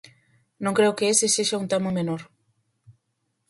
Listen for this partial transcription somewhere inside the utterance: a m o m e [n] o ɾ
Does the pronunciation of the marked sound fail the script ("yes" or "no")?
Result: no